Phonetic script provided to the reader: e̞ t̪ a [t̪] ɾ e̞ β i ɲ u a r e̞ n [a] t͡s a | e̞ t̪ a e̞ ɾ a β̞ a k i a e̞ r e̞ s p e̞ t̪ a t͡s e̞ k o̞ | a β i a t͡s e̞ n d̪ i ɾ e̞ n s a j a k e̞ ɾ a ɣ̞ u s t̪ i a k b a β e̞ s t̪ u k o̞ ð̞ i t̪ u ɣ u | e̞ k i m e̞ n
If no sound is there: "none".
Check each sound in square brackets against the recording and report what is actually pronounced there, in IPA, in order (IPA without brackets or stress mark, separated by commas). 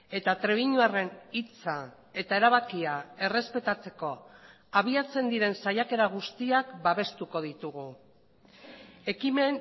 t̪, i